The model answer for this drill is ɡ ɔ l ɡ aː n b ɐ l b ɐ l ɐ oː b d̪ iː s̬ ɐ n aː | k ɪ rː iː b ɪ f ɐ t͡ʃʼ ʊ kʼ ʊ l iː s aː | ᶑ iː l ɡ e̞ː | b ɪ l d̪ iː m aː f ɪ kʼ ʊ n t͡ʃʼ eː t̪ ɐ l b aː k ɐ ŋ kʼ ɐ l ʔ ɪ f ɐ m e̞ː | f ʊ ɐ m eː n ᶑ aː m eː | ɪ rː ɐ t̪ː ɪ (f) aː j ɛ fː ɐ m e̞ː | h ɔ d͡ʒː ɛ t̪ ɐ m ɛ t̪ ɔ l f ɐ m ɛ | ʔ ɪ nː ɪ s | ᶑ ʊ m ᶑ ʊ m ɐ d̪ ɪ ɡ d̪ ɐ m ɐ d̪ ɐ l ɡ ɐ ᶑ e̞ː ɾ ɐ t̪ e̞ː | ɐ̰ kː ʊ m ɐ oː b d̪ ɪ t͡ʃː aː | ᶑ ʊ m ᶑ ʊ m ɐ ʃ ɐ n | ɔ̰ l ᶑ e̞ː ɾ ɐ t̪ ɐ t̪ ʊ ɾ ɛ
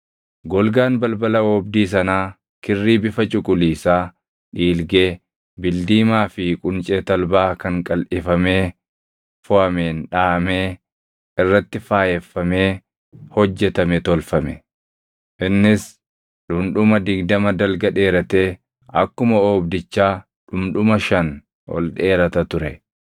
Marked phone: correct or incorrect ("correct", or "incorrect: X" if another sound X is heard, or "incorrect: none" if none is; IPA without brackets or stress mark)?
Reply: correct